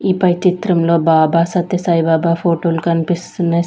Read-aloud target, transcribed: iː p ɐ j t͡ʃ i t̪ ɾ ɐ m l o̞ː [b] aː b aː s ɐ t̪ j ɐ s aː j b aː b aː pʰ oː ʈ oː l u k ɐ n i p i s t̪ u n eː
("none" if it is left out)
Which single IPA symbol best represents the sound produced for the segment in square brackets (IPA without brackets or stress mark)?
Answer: b